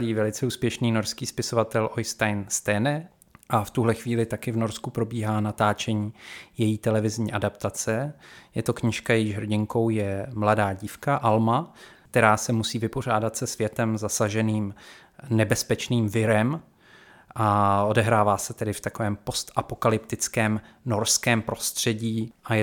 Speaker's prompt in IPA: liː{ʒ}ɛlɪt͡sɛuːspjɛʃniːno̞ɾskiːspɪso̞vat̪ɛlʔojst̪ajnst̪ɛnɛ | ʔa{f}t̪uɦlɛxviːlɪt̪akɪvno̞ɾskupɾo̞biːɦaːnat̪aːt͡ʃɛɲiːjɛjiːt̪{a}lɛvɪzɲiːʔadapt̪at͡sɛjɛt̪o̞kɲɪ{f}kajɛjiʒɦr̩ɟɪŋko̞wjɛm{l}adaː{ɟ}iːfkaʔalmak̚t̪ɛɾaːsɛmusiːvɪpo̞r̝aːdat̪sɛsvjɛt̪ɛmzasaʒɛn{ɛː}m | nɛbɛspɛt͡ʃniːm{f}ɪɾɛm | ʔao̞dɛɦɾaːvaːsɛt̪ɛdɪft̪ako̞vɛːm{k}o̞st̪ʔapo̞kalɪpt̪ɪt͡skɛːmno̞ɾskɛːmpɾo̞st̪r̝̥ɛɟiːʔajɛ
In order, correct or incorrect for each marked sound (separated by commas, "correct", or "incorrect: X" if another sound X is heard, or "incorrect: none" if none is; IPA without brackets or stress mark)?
incorrect: v, correct, incorrect: ɛ, incorrect: ʃ, correct, correct, incorrect: iː, incorrect: v, incorrect: p